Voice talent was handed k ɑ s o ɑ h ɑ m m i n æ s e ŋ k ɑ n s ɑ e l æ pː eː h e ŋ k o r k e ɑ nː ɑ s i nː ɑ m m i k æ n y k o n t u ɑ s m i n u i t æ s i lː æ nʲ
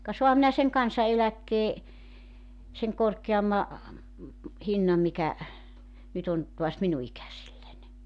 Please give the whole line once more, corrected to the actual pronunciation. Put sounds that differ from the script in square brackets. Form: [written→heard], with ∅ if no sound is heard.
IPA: k ɑ s o ɑ h ɑ m m i n æ s e ŋ k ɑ n s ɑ e l æ [pː→kː] eː [h→s] e ŋ k o r k e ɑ [nː→mː] ɑ [s→h] i nː ɑ m m i k æ n y [k→t] o n t u ɑ s m i n u i [t→k] æ s i lː æ nʲ